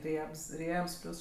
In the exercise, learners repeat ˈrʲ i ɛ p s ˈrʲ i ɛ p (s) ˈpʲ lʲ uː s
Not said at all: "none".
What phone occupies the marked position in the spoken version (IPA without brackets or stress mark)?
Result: s